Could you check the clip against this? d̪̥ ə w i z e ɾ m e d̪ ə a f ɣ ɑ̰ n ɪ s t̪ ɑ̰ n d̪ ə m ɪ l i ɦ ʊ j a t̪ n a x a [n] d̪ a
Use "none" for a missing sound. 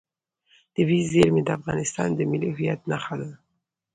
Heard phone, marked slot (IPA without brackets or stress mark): none